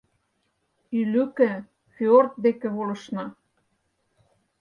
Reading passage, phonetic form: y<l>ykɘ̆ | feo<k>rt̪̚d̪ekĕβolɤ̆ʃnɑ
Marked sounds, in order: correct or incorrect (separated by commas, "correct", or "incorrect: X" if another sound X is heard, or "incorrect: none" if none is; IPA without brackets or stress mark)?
correct, incorrect: none